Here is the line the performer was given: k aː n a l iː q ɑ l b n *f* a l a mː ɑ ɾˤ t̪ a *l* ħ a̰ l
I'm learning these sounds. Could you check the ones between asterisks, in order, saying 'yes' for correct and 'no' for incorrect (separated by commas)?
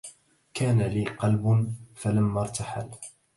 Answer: yes, no